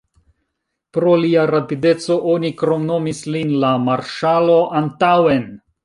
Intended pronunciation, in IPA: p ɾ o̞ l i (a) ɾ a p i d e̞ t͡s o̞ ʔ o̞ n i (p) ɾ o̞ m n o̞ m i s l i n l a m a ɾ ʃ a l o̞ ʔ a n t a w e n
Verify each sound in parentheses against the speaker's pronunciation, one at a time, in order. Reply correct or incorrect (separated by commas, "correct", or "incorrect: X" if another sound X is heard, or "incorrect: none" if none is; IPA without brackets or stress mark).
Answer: correct, incorrect: k